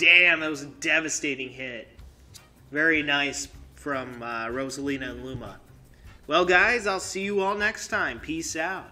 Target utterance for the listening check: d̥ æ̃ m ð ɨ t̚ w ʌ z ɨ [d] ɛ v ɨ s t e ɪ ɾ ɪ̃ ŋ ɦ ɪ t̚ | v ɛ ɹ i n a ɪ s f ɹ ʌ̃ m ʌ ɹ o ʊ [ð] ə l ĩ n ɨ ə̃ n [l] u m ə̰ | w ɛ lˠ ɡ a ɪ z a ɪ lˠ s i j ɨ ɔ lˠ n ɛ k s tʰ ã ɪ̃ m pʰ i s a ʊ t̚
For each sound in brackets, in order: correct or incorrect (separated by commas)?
correct, incorrect, correct